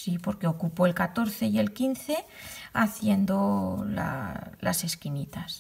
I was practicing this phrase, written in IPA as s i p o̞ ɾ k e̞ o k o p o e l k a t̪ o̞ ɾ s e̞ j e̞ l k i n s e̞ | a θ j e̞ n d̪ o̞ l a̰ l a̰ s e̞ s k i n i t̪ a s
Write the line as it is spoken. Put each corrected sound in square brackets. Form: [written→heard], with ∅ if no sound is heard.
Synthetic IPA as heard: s i p o̞ ɾ k e̞ o k [o→u] p o e l k a t̪ o̞ ɾ [s→θ] e̞ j e̞ l k i n [s→θ] e̞ | a θ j e̞ n d̪ o̞ l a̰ l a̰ s e̞ s k i n i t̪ a s